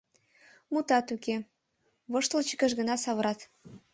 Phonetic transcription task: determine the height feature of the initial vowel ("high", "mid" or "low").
high